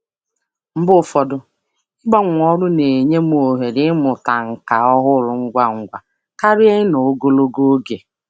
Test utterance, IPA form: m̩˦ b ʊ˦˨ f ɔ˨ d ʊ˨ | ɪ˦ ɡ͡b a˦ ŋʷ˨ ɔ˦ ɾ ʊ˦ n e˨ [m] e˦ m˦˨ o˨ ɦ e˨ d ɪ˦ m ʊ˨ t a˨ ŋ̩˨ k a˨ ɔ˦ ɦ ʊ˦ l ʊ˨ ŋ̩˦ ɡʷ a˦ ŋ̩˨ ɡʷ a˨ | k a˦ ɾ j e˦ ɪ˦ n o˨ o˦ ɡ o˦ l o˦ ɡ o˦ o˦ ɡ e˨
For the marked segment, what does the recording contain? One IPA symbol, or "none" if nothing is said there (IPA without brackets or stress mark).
ɲ